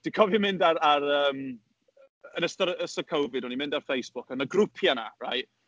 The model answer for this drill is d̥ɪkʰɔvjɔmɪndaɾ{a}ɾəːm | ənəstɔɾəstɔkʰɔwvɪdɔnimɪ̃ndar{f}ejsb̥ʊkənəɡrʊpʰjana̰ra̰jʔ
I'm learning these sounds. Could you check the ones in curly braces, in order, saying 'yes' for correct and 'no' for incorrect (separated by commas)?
yes, yes